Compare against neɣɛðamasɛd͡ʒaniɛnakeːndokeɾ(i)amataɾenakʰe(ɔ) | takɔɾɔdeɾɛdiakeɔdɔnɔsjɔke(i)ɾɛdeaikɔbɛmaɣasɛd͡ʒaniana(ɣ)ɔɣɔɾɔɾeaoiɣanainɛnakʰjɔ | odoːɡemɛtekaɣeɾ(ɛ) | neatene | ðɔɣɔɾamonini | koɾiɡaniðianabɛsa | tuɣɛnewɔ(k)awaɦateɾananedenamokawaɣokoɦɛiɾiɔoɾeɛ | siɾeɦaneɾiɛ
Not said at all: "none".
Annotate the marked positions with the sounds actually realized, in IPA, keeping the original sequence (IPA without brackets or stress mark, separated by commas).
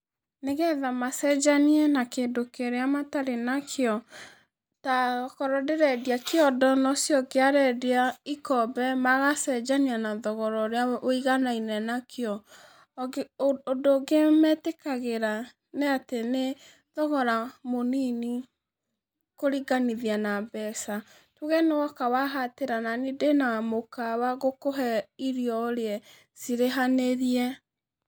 e, ɔ, a, ð, a, k